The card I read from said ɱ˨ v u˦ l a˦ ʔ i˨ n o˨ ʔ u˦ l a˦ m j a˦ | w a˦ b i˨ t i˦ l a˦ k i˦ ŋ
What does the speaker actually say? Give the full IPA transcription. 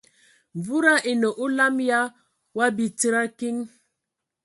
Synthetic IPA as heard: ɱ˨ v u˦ ɾ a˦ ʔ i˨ n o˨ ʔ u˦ l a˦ m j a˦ | w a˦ b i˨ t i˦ ɾ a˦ k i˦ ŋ